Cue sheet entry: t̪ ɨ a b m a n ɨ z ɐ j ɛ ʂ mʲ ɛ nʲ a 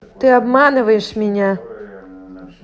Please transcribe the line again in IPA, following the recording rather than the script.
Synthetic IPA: t̪ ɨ a b m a n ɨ v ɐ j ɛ ʂ mʲ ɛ nʲ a